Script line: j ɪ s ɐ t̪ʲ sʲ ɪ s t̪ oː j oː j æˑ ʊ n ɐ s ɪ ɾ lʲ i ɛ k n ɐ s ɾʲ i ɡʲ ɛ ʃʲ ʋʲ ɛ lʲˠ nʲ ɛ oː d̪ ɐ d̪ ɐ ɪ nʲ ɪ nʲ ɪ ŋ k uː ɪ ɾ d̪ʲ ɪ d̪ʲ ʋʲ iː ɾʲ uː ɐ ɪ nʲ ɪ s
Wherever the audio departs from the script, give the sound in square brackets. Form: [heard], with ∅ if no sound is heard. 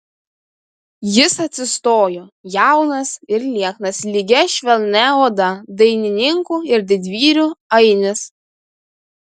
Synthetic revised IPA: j ɪ s ɐ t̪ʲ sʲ ɪ s t̪ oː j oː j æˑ ʊ n ɐ s ɪ ɾ lʲ i ɛ k n ɐ s [lʲ] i ɡʲ ɛ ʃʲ ʋʲ ɛ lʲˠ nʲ ɛ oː d̪ ɐ d̪ ɐ ɪ nʲ ɪ nʲ ɪ ŋ k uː ɪ ɾ d̪ʲ ɪ d̪ʲ ʋʲ iː ɾʲ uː ɐ ɪ nʲ ɪ s